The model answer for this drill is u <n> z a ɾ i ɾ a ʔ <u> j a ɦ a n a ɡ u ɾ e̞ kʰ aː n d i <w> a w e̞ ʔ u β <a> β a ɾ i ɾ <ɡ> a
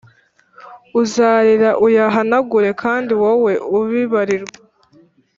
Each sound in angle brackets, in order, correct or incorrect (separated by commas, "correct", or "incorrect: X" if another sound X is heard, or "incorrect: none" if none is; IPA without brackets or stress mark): incorrect: none, correct, correct, incorrect: i, correct